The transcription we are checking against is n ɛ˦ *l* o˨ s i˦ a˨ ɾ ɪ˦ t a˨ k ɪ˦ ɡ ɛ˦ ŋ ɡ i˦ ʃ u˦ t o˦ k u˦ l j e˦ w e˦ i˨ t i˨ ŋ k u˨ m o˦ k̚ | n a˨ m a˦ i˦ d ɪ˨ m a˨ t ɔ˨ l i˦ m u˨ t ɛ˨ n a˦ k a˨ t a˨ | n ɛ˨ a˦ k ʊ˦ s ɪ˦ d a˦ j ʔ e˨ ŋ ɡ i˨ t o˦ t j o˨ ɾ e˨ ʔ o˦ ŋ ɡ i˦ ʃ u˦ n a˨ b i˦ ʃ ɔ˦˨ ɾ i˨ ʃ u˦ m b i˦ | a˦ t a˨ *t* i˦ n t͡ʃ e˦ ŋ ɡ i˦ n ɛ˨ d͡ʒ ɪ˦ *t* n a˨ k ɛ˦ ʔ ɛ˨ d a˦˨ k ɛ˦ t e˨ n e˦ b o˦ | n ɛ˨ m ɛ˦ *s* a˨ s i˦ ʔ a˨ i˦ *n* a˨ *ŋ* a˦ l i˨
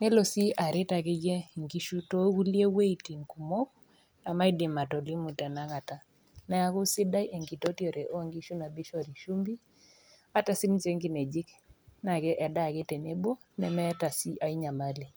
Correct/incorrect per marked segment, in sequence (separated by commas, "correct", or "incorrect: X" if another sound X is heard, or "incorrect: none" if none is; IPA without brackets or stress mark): correct, incorrect: s, incorrect: k, incorrect: t, incorrect: ɲ, incorrect: m